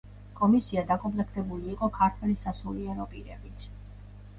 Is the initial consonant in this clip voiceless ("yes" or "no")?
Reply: yes